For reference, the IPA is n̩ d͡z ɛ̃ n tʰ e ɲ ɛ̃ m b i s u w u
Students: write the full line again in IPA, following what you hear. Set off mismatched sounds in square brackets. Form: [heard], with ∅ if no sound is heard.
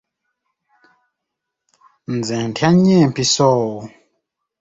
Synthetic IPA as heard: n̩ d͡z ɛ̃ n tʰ [a] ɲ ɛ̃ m [p] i s [ɔ] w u